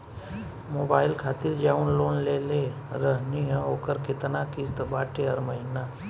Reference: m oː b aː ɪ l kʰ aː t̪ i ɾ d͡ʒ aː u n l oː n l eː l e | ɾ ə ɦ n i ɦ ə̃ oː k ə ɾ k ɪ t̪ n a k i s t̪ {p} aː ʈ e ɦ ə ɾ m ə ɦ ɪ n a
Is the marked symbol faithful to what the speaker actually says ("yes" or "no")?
no